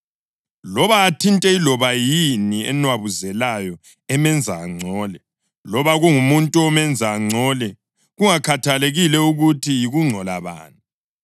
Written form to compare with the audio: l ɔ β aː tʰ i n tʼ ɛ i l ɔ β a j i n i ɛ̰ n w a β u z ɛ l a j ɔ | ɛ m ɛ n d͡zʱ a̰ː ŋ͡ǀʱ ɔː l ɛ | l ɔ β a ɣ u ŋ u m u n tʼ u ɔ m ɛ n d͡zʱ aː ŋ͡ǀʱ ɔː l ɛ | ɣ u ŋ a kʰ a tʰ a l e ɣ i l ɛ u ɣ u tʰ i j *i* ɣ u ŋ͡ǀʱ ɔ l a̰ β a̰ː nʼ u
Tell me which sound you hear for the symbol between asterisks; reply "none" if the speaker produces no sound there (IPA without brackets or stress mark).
i